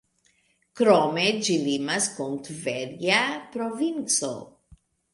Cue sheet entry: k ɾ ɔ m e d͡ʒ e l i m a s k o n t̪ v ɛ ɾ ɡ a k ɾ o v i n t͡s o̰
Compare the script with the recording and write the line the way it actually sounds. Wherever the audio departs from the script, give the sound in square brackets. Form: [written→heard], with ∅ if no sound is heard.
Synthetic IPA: k ɾ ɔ m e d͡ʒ [e→i] l i m a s k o n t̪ v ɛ ɾ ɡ a [k→p] ɾ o v i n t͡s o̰